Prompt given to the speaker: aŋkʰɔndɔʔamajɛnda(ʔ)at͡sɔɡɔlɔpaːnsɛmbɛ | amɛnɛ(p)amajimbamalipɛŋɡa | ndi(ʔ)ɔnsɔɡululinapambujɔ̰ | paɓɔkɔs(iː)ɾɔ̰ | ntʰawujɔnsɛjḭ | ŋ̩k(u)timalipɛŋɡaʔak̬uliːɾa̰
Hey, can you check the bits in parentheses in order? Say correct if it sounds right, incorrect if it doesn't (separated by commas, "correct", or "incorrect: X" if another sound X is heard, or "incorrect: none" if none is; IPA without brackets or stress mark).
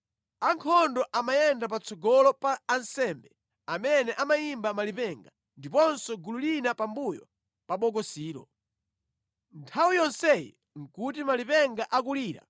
incorrect: p, incorrect: ʔ, incorrect: p, correct, correct